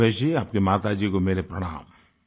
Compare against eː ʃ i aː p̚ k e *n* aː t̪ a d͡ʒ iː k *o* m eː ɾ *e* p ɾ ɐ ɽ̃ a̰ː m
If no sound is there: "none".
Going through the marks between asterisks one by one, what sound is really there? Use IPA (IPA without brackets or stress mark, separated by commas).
m, o, e